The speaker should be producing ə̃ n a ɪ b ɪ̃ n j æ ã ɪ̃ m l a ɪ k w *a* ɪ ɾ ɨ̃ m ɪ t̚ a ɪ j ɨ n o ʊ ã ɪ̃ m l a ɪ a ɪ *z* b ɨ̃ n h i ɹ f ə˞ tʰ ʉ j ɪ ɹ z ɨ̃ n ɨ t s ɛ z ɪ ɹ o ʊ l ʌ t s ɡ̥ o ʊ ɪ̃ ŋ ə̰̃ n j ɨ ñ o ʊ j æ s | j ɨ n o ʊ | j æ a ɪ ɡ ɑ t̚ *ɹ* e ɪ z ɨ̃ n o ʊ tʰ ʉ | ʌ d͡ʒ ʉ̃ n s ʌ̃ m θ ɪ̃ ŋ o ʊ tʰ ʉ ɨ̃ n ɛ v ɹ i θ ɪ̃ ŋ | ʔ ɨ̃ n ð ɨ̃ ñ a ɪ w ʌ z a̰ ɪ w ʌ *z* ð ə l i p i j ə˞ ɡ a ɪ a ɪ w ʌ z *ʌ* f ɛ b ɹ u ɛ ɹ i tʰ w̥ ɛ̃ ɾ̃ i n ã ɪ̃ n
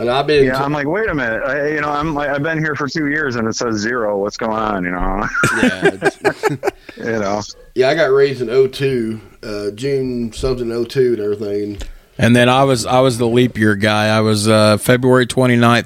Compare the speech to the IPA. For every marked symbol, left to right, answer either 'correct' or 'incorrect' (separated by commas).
incorrect, incorrect, correct, correct, correct